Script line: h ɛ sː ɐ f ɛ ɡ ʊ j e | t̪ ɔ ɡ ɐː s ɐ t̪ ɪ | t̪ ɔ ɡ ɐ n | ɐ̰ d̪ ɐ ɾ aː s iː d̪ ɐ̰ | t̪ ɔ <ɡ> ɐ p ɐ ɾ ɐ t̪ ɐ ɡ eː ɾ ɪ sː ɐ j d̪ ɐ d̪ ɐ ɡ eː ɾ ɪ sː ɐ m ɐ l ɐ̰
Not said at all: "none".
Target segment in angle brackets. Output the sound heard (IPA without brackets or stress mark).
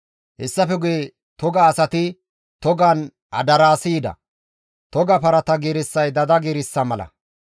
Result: ɡ